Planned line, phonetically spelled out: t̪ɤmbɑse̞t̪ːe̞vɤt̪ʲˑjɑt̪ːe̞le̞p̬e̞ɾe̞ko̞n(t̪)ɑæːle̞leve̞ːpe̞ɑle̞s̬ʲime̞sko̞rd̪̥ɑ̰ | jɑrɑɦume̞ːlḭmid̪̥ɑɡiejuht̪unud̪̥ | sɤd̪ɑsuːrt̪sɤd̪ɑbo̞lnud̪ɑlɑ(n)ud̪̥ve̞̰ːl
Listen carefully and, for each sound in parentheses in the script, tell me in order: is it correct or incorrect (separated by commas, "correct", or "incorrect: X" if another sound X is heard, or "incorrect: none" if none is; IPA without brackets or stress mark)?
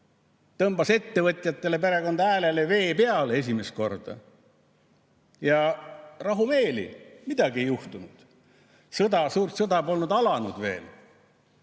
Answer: incorrect: d̪, correct